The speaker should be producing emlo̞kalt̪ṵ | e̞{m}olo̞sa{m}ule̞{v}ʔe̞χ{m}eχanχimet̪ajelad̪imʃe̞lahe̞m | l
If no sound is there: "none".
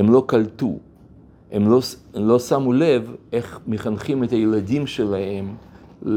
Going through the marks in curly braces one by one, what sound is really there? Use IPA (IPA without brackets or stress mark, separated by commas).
m, m, v, m